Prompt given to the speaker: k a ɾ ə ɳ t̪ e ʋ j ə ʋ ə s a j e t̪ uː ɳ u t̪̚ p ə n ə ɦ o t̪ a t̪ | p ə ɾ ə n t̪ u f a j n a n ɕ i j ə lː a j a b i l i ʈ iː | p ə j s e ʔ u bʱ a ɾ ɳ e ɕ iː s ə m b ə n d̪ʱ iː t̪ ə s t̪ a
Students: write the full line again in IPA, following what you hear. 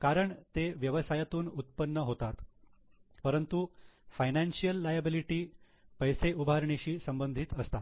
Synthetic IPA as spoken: k a ɾ ə ɳ t̪ e ʋ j ə ʋ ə s a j a t̪ uː n u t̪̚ p ə nː ə ɦ o t̪ a t̪ | p ə ɾ ə n t̪ u f a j n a n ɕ i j ə lː a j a b i l i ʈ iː | p ə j s e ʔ u bʱ a ɾ ɳ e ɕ iː s ə m b ə n d̪ʱ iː t̪ ə s t̪ a